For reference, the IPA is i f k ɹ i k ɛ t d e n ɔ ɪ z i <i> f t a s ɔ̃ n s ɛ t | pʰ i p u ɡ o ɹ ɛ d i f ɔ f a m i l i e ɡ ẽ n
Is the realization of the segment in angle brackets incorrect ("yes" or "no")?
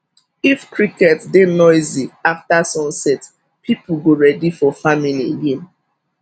yes